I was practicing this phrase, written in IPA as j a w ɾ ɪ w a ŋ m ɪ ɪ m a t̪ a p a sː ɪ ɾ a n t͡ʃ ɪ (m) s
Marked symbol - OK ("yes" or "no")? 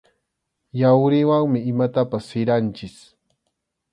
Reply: no